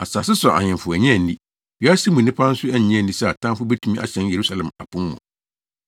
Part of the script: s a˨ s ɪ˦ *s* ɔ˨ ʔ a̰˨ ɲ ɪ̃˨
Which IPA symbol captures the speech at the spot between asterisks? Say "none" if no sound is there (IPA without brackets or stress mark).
s